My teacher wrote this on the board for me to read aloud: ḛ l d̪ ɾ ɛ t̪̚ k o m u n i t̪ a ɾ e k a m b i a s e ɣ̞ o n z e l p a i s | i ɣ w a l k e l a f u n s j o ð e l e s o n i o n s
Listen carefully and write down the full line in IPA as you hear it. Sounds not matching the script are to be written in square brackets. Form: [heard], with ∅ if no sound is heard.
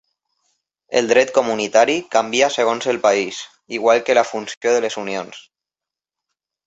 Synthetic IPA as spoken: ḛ l d̪ ɾ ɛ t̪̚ k o m u n i t̪ a ɾ [i] k a m b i a s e ɣ̞ o n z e l p a i s | i ɣ w a l k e l a f u n s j o ð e l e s [u] n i o n s